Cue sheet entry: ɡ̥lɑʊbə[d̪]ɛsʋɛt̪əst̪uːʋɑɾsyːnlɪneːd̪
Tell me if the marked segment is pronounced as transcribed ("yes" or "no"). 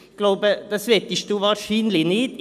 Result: yes